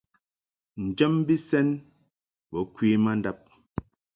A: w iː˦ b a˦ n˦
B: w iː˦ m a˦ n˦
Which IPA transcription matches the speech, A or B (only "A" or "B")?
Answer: B